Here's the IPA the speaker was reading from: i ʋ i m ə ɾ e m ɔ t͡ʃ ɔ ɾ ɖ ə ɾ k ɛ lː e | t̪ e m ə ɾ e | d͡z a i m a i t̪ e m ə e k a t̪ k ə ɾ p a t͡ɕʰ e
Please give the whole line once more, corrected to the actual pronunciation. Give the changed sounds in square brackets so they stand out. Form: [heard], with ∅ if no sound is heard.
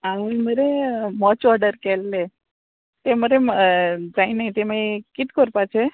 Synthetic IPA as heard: [a] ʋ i m ə ɾ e m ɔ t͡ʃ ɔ ɾ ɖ ə ɾ k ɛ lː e | t̪ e m ə ɾ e | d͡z a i [n] a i t̪ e m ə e k [i] t̪ k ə ɾ p a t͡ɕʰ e